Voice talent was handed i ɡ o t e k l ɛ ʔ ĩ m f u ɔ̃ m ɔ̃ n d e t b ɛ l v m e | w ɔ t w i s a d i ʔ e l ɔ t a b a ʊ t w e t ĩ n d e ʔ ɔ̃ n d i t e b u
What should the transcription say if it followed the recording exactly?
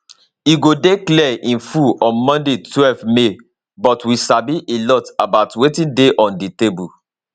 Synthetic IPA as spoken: i ɡ o d e k l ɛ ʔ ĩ n f u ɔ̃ m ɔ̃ n d e t w ɛ l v m e | b ɔ t w i s a b i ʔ e l ɔ t a b a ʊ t w e t ĩ n d e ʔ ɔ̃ n d i t e b u